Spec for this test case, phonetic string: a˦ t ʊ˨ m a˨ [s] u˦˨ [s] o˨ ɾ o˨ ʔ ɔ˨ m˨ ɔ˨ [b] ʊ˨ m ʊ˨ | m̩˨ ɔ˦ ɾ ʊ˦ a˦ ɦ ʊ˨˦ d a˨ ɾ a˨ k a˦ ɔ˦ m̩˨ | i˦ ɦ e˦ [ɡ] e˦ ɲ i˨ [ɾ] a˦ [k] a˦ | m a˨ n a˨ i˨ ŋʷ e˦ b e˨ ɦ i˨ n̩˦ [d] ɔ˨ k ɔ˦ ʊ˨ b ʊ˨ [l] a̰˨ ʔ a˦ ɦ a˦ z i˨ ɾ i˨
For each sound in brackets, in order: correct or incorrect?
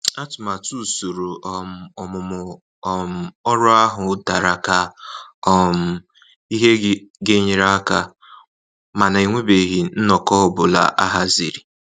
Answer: incorrect: t, correct, incorrect: m, correct, correct, correct, incorrect: n, correct

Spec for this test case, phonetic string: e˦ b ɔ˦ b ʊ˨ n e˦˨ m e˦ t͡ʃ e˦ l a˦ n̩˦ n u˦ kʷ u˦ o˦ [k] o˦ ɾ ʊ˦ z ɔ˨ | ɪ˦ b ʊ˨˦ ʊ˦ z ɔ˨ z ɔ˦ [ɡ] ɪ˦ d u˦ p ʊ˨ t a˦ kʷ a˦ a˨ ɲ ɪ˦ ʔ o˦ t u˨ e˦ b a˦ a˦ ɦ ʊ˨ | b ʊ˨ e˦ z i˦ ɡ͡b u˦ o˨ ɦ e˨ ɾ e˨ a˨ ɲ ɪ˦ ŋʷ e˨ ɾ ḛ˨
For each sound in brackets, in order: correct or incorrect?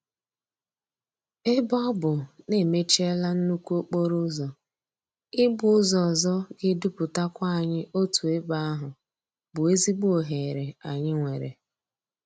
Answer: incorrect: k͡p, correct

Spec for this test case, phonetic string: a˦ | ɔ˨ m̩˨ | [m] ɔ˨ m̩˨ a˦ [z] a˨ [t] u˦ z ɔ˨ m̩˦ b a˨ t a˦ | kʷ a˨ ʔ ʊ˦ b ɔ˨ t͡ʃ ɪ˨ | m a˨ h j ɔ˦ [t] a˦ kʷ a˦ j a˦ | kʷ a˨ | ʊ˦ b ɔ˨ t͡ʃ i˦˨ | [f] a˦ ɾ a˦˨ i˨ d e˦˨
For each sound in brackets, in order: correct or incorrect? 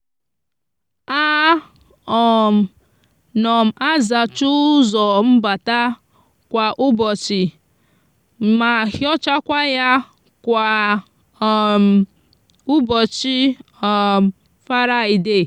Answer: incorrect: n, correct, incorrect: t͡ʃ, incorrect: t͡ʃ, correct

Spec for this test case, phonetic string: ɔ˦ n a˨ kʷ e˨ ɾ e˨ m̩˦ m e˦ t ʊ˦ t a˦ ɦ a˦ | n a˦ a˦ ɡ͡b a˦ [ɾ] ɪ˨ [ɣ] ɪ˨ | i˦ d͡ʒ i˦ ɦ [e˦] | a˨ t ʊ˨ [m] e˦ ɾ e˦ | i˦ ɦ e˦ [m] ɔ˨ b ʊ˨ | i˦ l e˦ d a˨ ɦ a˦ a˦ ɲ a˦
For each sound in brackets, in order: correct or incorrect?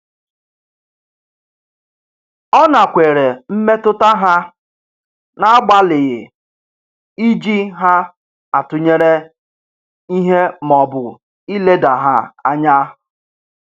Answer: incorrect: l, correct, incorrect: a˦, incorrect: ɲ, correct

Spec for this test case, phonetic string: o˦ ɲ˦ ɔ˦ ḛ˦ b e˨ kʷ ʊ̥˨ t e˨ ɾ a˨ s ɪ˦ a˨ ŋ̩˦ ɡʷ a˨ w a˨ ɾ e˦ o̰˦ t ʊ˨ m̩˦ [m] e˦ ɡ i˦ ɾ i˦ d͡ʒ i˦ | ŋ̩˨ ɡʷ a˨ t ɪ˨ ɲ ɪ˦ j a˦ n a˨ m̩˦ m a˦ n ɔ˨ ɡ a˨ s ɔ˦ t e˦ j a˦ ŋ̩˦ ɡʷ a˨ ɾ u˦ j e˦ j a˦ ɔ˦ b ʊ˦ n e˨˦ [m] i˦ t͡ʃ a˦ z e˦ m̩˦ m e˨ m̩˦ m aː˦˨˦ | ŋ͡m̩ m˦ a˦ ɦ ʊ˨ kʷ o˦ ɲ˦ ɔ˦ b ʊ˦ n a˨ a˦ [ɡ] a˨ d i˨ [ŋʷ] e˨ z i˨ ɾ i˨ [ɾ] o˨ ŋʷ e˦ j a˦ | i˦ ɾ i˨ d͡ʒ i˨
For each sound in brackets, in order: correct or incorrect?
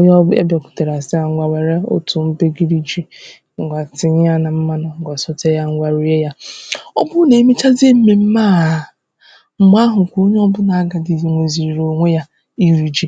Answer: incorrect: b, correct, correct, correct, correct

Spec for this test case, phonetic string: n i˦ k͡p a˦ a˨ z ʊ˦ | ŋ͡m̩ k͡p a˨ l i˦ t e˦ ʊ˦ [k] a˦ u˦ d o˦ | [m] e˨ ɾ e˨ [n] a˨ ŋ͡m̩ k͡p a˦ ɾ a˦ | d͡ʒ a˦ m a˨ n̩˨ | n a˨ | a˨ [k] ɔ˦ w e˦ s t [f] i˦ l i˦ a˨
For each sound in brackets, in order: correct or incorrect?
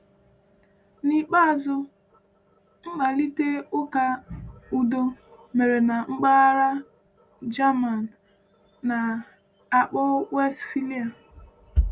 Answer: correct, correct, correct, incorrect: k͡p, correct

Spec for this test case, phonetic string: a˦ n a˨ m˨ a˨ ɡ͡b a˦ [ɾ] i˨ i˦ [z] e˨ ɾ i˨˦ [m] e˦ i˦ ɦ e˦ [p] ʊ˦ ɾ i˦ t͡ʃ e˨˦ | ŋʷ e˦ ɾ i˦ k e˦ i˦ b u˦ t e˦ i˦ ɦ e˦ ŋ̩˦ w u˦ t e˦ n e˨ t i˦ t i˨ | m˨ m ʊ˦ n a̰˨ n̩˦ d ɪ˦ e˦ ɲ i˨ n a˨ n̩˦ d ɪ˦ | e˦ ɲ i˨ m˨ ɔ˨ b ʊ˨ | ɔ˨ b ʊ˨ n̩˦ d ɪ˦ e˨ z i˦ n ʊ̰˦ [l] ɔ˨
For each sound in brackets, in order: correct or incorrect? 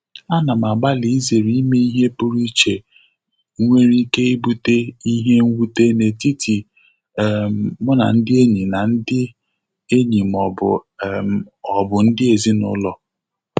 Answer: incorrect: l, correct, correct, correct, correct

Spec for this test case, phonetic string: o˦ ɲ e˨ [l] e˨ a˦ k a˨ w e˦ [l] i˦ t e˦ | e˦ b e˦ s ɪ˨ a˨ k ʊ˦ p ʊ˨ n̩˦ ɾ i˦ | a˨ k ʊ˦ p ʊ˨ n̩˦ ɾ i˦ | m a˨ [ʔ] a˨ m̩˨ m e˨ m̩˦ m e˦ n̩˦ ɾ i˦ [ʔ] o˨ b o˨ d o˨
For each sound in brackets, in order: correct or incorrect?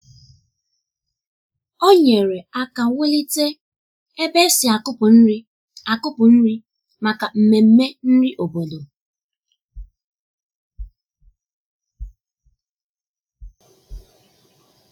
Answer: incorrect: ɾ, correct, incorrect: k, correct

